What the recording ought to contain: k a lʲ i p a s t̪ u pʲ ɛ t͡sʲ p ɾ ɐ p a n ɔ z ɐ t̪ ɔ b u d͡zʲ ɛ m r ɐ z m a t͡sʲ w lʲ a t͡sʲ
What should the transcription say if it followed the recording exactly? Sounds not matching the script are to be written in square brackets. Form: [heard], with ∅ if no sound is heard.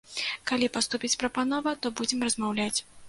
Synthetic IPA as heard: k a lʲ i p a s t̪ u pʲ [i] t͡sʲ p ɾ ɐ p a n ɔ [v] ɐ t̪ ɔ b u d͡zʲ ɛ m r ɐ z m a [∅] w lʲ a t͡sʲ